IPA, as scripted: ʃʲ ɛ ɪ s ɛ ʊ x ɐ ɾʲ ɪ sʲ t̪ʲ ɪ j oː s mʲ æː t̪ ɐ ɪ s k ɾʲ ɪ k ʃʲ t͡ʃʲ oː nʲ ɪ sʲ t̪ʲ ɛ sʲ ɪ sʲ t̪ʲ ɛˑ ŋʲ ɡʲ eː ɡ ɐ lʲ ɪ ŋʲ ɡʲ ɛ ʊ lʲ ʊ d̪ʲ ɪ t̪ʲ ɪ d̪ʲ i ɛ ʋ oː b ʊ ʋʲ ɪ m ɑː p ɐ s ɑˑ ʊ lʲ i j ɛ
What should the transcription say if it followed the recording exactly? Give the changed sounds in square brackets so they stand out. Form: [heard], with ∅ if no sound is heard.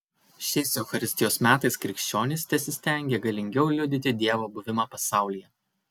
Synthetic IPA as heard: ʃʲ ɛ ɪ s ɛ ʊ x ɐ ɾʲ ɪ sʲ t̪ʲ ɪ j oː s mʲ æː t̪ ɐ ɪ s k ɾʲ ɪ k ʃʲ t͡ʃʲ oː nʲ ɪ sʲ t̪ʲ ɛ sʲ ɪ sʲ t̪ʲ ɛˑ ŋʲ ɡʲ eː ɡ ɐ lʲ ɪ ŋʲ ɡʲ ɛ ʊ lʲ ʊ d̪ʲ ɪ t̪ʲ ɪ d̪ʲ i ɛ ʋ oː b ʊ ʋʲ ɪ m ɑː p ɐ s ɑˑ ʊ lʲ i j ɛ